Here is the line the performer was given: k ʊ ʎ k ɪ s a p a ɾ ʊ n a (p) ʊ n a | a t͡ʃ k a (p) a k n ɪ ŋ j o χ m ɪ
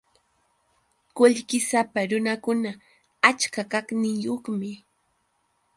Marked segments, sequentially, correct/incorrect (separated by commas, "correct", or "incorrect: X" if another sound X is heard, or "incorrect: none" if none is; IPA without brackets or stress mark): incorrect: k, incorrect: k